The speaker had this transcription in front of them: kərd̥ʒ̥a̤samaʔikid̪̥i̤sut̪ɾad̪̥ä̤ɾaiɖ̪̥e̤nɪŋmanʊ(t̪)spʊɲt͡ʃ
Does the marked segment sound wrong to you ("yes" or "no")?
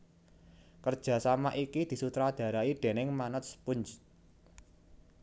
no